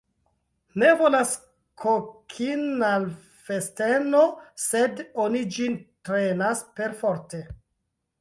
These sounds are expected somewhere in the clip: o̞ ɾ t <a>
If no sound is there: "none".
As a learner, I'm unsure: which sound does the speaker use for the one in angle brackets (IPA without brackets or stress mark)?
e